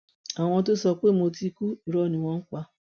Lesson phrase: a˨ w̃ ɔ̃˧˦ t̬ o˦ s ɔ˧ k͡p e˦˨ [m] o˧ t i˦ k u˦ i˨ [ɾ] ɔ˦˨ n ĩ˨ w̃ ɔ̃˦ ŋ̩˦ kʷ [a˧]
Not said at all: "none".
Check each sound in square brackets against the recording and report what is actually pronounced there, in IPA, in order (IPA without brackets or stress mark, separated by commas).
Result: m, ɾ, a˧